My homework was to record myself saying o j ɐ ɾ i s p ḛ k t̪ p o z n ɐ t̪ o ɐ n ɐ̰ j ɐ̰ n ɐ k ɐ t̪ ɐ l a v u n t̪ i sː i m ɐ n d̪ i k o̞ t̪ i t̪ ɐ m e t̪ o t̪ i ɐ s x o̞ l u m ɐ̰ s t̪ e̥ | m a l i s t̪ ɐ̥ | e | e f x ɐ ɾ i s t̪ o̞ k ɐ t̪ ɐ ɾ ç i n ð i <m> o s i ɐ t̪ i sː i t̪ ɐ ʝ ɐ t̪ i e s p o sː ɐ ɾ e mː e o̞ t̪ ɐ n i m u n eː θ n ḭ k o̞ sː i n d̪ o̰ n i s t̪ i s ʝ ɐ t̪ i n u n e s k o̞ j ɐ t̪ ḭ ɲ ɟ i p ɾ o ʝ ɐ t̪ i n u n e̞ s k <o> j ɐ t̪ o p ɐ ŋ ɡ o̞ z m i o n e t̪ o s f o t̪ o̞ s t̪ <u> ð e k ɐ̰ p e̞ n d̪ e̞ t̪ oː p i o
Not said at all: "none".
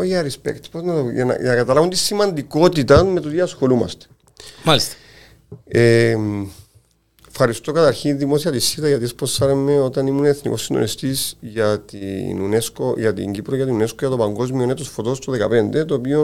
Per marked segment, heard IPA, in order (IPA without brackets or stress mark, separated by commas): m, o, o